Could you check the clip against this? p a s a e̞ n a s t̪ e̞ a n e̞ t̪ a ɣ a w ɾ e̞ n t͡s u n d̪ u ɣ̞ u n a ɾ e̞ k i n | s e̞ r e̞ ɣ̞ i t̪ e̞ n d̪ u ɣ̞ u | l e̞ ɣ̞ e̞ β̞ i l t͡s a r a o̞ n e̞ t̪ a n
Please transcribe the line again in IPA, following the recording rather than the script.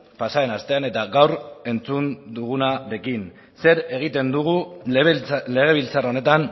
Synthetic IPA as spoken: p a s a e̞ n a s t̪ e̞ a n e̞ t̪ a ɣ a w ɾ e̞ n t͡s u n d̪ u ɣ̞ u n a ɾ e̞ k i n | s e̞ ɾ e̞ ɣ̞ i t̪ e̞ n d̪ u ɣ̞ u | l e̞ ɣ̞ e̞ β̞ i l t͡s a r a o̞ n e̞ t̪ a n